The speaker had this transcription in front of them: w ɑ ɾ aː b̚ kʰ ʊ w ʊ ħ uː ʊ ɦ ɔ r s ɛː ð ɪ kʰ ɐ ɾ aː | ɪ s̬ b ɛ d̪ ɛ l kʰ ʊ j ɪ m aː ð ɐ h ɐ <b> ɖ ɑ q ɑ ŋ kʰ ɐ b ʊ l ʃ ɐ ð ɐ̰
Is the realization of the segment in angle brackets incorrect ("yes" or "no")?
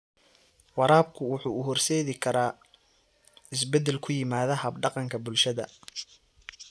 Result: no